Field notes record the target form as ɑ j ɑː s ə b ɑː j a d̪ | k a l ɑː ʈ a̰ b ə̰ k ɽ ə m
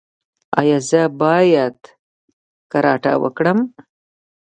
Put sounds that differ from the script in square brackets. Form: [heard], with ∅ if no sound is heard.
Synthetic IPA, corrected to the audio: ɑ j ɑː [z] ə b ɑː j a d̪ | k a [ɾ] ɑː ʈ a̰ [w] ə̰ k ɽ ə m